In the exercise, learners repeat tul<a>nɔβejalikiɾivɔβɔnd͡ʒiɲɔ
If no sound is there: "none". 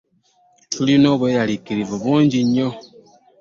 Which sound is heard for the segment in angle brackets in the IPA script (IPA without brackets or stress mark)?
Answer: i